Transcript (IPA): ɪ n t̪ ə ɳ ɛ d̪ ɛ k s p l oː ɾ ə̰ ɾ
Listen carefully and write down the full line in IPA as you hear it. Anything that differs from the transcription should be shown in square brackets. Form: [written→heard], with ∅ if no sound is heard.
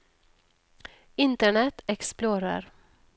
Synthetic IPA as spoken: ɪ n t̪ ə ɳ ɛ [d̪→t̪] ɛ k s p l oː ɾ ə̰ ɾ